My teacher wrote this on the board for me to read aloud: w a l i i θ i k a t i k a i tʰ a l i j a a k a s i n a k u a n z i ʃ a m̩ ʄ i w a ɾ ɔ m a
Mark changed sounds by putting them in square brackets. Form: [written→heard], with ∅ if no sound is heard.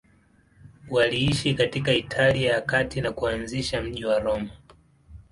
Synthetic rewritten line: w a l i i [θ→ʃ] i k a t i k a i tʰ a l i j a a k a [s→t] i n a k u a n z i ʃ a m̩ ʄ i w a ɾ ɔ m a